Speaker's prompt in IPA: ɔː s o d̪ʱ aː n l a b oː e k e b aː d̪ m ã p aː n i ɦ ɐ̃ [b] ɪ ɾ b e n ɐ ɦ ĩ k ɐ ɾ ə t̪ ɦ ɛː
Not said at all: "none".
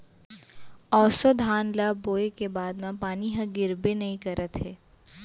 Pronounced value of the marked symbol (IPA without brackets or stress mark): ɡ